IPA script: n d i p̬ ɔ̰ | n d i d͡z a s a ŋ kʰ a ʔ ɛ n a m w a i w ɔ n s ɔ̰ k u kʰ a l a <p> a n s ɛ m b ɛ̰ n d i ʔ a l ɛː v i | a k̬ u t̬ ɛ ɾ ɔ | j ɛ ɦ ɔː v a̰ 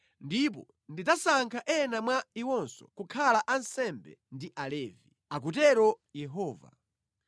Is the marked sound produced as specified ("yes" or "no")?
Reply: no